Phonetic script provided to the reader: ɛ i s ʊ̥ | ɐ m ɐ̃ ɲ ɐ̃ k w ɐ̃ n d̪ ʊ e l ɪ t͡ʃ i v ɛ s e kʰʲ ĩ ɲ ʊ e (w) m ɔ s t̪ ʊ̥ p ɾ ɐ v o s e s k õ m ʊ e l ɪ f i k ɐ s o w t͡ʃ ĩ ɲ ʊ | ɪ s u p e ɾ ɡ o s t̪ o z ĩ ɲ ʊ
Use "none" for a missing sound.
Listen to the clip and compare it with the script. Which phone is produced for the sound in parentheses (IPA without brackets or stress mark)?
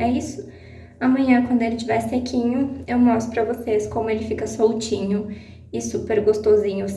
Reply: w